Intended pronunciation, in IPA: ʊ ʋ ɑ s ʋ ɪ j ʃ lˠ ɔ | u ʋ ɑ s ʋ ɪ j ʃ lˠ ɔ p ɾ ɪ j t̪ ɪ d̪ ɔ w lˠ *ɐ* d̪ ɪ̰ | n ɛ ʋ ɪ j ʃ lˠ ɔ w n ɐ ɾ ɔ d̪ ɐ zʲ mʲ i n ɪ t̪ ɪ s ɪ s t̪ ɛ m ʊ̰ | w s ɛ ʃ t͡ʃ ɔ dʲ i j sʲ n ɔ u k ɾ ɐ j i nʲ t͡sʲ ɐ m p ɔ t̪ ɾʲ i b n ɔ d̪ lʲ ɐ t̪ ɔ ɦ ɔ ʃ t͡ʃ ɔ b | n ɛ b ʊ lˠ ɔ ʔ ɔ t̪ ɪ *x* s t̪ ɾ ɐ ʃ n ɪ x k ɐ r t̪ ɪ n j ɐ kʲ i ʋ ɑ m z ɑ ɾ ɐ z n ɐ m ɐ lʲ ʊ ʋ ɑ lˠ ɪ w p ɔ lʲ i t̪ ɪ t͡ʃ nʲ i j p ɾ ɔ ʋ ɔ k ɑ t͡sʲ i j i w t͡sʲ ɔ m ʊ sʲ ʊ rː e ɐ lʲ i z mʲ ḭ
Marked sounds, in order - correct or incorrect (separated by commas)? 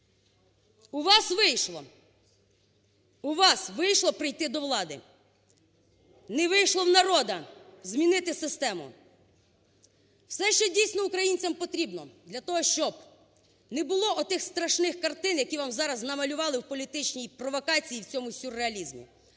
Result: incorrect, correct